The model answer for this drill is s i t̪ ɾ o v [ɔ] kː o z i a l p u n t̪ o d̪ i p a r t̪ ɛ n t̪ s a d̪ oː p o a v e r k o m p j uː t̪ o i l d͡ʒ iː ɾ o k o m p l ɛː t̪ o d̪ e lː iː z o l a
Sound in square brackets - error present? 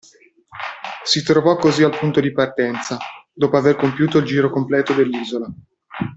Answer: no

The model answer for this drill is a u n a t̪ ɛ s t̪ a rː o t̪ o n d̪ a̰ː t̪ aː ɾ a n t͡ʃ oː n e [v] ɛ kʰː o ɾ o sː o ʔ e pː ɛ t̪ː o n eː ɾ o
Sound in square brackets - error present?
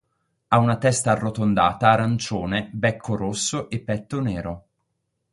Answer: yes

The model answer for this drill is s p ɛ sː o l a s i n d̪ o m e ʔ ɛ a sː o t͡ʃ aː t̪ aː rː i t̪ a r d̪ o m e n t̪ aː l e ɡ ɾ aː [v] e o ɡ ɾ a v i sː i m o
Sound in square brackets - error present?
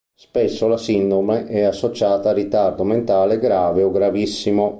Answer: no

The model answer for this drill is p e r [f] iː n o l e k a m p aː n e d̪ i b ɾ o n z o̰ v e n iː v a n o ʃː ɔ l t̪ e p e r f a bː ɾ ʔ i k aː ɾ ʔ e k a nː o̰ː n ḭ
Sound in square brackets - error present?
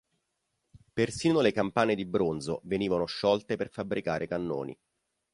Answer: yes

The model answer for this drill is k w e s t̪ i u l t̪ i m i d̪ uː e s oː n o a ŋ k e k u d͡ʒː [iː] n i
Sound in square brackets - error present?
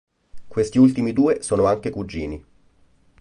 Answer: no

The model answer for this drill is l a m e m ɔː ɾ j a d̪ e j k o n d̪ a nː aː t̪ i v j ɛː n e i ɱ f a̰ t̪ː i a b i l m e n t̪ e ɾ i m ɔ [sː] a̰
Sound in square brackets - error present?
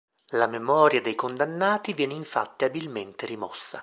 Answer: no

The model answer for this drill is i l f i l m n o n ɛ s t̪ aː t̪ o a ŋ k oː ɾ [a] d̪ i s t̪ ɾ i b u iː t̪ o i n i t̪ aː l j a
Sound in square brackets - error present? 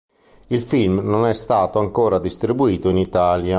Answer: no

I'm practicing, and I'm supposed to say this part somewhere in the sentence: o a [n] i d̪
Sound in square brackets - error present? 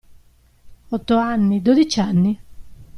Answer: yes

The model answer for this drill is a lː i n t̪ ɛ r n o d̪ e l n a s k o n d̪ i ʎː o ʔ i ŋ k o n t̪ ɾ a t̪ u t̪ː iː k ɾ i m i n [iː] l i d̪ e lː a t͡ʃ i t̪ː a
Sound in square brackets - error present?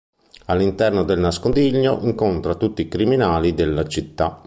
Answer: yes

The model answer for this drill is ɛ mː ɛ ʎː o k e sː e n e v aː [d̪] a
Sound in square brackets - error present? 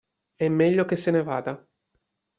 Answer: no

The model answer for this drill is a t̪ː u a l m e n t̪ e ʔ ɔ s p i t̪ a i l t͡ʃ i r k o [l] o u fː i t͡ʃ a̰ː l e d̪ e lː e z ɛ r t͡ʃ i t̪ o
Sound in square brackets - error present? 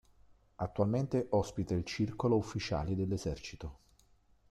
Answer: no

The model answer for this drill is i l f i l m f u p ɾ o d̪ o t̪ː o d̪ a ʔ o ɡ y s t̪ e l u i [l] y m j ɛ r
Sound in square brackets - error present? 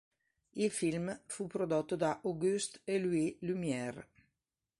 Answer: no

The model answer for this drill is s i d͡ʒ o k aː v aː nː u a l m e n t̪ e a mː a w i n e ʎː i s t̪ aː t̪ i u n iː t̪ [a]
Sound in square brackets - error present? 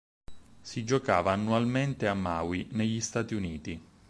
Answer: yes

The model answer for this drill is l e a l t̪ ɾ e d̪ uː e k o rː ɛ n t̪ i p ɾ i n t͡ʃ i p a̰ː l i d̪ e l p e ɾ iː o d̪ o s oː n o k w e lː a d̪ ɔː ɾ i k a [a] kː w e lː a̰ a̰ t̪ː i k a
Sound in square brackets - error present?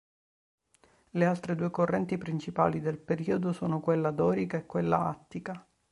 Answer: yes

